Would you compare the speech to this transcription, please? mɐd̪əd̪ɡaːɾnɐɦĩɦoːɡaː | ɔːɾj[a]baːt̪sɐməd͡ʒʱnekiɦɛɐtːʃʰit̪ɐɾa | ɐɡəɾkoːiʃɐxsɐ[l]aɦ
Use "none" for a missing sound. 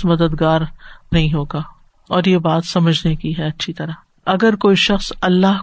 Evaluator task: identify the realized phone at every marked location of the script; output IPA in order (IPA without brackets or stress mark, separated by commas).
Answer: e, lː